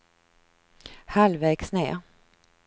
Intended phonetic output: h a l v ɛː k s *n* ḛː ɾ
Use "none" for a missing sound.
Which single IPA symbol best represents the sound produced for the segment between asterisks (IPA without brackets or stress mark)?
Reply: n